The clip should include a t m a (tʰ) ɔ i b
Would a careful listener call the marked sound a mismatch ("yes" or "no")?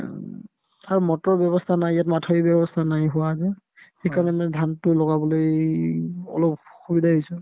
no